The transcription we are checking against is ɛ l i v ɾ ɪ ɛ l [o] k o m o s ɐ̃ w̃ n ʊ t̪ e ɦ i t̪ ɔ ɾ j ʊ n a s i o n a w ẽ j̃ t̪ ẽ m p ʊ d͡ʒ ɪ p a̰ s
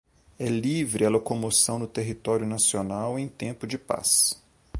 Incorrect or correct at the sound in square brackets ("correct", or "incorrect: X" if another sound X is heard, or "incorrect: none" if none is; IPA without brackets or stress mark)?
correct